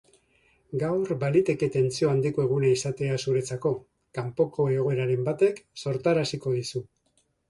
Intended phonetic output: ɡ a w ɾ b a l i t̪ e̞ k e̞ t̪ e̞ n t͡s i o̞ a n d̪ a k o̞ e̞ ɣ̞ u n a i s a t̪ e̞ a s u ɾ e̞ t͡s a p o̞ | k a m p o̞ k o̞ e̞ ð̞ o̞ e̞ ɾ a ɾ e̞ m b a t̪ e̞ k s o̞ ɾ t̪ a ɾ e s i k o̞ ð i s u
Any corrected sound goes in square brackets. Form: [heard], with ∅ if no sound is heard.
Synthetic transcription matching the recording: ɡ a w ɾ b a l i t̪ e̞ k e̞ t̪ e̞ n t͡s i o̞ a n d̪ [i] k o̞ e̞ ɣ̞ u n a i s a t̪ e̞ a s u ɾ e̞ t͡s a [k] o̞ | k a m p o̞ k o̞ e̞ [ɣ̞] o̞ e̞ ɾ a ɾ e̞ m b a t̪ e̞ k s o̞ ɾ t̪ a ɾ [a] s i k o̞ ð i s u

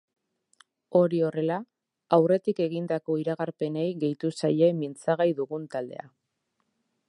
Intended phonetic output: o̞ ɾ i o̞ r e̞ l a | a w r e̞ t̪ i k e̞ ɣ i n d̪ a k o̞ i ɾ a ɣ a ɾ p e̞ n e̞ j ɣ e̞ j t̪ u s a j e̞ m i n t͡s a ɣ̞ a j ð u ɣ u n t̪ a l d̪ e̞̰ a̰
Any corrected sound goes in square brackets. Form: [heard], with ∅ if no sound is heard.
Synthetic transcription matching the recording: o̞ ɾ i o̞ r e̞ l a | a w r e̞ t̪ i k e̞ ɣ i n d̪ a k o̞ i ɾ a ɣ a ɾ p e̞ n e̞ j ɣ e̞ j t̪ u s a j e̞ m i n t͡s a ɣ̞ a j ð u ɣ u n t̪ a l d̪ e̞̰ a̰

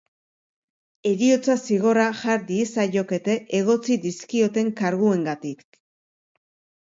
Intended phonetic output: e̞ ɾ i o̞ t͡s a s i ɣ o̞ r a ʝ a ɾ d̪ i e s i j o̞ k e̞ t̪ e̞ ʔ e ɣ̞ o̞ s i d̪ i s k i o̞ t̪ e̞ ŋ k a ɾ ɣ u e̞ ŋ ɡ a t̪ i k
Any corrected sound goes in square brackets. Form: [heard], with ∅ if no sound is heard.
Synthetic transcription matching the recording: e̞ ɾ i o̞ t͡s a s i ɣ o̞ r a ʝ a ɾ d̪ i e s [a] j o̞ k e̞ t̪ e̞ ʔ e ɣ̞ o̞ [t͡s] i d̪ i s k i o̞ t̪ e̞ ŋ k a ɾ ɣ u e̞ ŋ ɡ a t̪ i k

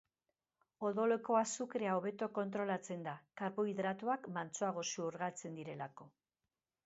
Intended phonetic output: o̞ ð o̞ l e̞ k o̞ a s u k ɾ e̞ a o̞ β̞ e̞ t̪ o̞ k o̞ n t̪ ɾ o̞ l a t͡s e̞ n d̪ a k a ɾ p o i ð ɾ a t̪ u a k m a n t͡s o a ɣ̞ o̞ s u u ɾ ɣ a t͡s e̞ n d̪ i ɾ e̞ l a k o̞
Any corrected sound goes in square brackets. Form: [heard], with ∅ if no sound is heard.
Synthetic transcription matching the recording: o̞ ð o̞ l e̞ k o̞ a s u k ɾ e̞ a o̞ β̞ e̞ t̪ o̞ k o̞ n t̪ ɾ o̞ l a t͡s e̞ n d̪ a k a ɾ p o i ð ɾ a t̪ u a k m a n t͡s o a ɣ̞ o̞ s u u ɾ ɣ a t͡s e̞ n d̪ i ɾ e̞ l a k o̞

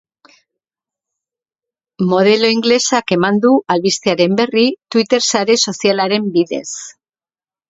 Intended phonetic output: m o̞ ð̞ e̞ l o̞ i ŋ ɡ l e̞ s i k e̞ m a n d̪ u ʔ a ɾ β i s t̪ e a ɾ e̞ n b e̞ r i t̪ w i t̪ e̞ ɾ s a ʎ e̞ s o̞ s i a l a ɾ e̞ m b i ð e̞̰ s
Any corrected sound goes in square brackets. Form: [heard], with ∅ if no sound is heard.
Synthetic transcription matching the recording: m o̞ ð̞ e̞ l o̞ i ŋ ɡ l e̞ s [a] k e̞ m a n d̪ u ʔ a [l] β i s t̪ e a ɾ e̞ [m] b e̞ r i t̪ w i t̪ e̞ ɾ s a [ɾ] e̞ s o̞ s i a l a ɾ e̞ m b i ð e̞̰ s

